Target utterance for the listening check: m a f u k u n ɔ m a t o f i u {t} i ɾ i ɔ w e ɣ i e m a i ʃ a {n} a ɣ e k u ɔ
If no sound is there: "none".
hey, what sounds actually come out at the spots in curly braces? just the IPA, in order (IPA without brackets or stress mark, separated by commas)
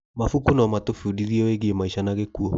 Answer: d, n